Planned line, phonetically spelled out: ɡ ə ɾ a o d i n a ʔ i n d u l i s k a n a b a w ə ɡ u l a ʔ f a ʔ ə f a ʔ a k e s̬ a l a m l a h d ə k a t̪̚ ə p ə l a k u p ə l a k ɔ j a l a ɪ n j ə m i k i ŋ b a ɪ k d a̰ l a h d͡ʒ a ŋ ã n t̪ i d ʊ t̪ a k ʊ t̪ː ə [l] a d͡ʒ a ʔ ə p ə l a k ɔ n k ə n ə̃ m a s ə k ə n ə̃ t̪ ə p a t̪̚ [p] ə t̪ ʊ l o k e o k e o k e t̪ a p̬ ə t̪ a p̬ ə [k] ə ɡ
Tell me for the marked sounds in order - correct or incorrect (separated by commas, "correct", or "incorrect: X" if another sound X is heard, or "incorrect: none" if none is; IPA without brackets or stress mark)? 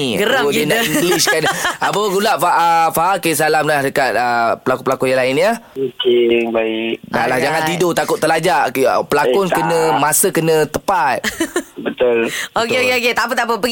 correct, incorrect: b, incorrect: p